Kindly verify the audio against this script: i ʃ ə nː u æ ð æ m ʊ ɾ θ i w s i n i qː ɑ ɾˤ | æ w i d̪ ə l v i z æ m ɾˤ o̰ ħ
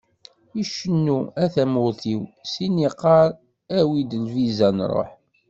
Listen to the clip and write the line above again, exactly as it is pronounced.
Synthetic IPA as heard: i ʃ ə nː u æ θ æ m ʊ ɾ θ i w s i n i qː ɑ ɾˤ | æ w i d̪ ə l v i z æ n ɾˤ o̰ ħ